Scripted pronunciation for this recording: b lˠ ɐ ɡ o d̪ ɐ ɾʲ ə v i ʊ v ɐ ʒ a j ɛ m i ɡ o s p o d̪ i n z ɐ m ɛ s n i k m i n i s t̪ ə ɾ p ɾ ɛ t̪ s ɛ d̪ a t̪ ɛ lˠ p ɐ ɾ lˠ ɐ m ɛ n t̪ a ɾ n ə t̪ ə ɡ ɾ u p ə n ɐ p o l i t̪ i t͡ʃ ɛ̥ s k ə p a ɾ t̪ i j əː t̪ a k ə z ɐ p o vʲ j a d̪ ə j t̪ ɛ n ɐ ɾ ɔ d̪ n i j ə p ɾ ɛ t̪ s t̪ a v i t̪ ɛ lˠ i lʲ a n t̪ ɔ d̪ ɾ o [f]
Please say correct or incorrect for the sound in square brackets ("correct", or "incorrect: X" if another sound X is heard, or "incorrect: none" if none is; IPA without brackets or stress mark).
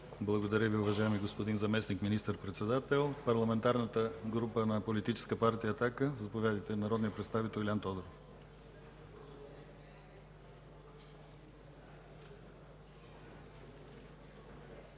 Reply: correct